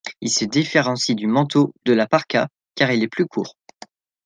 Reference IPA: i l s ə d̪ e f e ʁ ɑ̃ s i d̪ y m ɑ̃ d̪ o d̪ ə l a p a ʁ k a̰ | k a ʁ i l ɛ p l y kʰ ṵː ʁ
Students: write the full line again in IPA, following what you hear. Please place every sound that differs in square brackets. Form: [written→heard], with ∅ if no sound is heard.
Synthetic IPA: i l s ə d̪ [e→i] f e ʁ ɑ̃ s i d̪ y m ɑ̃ [d̪→t̪] o d̪ ə l a p a ʁ k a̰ | k a ʁ i l ɛ p l y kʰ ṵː ʁ

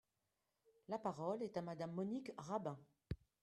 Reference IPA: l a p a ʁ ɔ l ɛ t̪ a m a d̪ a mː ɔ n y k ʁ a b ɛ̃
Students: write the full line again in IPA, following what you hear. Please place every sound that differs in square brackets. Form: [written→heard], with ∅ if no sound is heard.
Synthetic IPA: l a p a ʁ ɔ l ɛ t̪ a m a d̪ a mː ɔ n [y→i] k ʁ a b ɛ̃

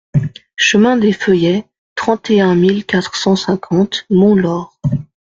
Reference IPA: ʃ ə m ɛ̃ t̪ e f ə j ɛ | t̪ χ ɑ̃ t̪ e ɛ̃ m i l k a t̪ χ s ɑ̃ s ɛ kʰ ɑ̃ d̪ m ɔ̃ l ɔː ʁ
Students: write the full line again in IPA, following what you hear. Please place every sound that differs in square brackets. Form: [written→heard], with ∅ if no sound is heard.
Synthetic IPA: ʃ ə m ɛ̃ [t̪→d̪] e f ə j ɛ | t̪ χ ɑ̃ t̪ e ɛ̃ m i l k a t̪ χ s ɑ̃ s [ɛ→ɛ̃] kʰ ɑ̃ [d̪→t̪] m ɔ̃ l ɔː ʁ

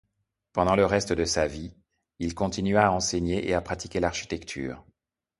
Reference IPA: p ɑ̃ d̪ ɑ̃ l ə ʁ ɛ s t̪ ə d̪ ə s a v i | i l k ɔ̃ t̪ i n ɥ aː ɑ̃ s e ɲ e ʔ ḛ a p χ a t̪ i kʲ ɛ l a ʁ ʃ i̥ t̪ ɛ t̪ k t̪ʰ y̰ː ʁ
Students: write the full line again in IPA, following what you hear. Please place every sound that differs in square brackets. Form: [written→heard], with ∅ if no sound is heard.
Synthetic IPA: p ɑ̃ d̪ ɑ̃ l ə ʁ ɛ s t̪ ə d̪ ə s a v i | i l k ɔ̃ t̪ i n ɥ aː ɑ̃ s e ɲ e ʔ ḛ a p χ a t̪ i kʲ [ɛ→e] l a ʁ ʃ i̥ t̪ ɛ [t̪→∅] k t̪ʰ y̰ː ʁ

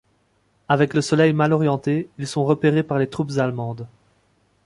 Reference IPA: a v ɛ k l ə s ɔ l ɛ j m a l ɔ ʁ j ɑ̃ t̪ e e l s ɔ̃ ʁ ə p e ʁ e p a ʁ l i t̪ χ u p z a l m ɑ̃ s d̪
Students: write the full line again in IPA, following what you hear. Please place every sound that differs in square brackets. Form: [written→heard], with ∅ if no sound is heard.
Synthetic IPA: a v ɛ k l ə s ɔ l ɛ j m a l ɔ ʁ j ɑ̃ t̪ e [e→i] l s ɔ̃ ʁ ə p e ʁ e p a ʁ l [i→e] t̪ χ u p z a l m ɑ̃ [s→∅] d̪

